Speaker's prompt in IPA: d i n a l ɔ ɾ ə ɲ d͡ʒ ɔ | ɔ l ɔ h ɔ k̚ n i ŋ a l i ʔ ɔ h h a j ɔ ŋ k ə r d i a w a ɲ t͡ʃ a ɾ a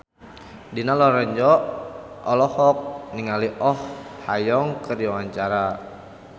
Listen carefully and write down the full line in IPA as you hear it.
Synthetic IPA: d i n a l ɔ ɾ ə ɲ d͡ʒ ɔ | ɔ l ɔ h ɔ k̚ n i ŋ a l i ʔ ɔ h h a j ɔ ŋ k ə r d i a w a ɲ t͡ʃ a ɾ a